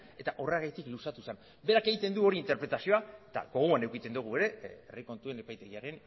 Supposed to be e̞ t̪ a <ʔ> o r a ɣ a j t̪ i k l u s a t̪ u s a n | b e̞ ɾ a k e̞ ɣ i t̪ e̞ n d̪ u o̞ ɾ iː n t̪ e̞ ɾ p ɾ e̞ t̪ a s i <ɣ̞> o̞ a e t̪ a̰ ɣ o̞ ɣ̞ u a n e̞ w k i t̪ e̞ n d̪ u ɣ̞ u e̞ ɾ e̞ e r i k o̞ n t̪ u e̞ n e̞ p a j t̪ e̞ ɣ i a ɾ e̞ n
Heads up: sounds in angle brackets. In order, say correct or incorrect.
correct, incorrect: none

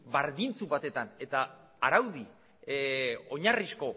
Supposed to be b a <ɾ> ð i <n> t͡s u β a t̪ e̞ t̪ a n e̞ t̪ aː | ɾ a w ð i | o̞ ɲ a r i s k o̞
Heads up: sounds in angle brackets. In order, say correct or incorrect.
correct, correct

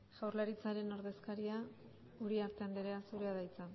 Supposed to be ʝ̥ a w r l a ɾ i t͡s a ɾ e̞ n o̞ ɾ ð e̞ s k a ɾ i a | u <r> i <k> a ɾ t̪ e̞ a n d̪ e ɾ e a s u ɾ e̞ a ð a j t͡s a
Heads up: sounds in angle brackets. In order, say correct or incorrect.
incorrect: ɾ, incorrect: none

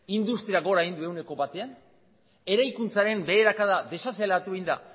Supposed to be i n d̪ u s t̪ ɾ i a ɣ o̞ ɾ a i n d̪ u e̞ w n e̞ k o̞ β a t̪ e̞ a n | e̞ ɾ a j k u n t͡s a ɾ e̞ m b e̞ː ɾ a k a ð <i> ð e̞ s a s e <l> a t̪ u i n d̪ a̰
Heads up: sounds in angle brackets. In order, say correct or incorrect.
incorrect: a, correct

